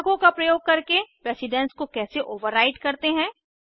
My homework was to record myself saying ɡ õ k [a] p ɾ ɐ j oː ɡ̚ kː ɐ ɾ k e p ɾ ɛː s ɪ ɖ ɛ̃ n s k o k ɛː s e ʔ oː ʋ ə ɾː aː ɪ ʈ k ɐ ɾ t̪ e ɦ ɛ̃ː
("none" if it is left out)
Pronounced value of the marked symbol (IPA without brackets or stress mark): a